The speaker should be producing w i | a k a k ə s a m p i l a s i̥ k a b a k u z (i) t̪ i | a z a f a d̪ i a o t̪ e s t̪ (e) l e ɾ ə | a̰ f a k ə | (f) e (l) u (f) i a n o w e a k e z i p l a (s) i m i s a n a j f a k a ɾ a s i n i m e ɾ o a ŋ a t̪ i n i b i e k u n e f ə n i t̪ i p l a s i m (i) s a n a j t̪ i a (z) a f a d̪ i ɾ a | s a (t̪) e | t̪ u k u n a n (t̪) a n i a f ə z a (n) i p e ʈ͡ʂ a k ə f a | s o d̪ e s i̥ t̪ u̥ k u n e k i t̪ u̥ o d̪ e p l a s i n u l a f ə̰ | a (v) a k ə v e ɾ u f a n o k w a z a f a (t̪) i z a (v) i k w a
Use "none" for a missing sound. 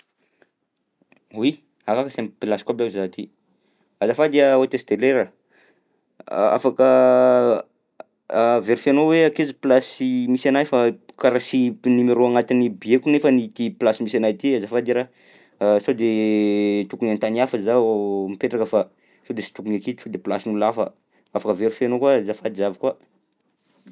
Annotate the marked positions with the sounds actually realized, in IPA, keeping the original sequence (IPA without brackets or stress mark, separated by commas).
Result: a, e, v, ɾ, f, s, i, z, d̪, t̪, m, f, d̪, v